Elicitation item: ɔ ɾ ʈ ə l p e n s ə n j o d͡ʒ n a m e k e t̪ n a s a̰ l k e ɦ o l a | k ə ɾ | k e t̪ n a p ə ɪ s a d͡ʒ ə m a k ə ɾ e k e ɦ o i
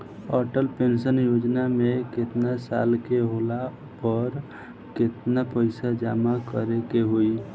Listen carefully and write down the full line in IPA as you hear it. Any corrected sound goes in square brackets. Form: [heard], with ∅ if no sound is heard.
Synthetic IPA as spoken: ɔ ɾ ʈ ə l p e n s ə n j o d͡ʒ n a m e k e t̪ n a s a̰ l k e ɦ o l a | [p] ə ɾ | k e t̪ n a p ə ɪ s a d͡ʒ [a] m a k ə ɾ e k e ɦ o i